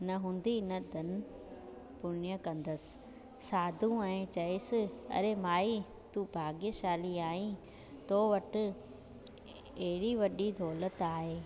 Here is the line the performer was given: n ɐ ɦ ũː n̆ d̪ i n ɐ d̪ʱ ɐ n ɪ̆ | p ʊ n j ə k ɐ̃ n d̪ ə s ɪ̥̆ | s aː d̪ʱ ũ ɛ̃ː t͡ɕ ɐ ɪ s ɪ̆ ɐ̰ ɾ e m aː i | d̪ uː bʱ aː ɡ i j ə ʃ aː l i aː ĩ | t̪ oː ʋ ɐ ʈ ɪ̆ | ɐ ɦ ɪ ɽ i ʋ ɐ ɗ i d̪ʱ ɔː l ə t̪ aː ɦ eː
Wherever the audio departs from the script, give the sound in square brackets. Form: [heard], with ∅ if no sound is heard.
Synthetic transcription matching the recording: n ɐ ɦ ũː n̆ d̪ i n ɐ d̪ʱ ɐ n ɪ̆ | p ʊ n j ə k ɐ̃ n d̪ ə s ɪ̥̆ | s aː d̪ʱ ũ ɛ̃ː t͡ɕ ɐ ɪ s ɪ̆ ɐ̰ ɾ e m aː i | [t̪] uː bʱ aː ɡ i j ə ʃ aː l i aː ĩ | t̪ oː ʋ ɐ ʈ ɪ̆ | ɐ ɦ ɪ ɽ i ʋ ɐ ɗ i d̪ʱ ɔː l ə t̪ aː ɦ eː